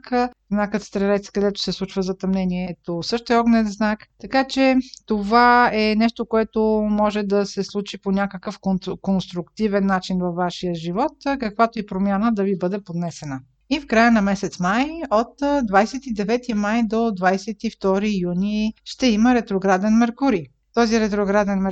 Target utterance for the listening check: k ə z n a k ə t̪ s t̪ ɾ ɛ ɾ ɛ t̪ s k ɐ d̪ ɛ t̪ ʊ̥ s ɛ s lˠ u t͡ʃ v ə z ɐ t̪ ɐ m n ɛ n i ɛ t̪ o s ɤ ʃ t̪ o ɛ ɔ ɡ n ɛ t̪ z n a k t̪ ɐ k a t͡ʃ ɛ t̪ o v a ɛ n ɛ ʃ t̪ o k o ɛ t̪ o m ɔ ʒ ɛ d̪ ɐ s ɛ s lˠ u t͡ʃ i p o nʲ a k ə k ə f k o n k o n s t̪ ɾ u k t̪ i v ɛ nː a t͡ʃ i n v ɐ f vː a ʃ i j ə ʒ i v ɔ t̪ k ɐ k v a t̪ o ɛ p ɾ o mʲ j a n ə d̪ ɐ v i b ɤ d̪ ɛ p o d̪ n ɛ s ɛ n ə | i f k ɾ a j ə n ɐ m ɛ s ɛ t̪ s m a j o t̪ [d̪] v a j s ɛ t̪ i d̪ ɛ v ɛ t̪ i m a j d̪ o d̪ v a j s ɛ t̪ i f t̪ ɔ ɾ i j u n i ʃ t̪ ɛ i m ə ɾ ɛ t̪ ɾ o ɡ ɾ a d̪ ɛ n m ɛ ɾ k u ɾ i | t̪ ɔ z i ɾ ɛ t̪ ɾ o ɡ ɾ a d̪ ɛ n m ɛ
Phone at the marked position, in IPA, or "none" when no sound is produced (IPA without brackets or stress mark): d̪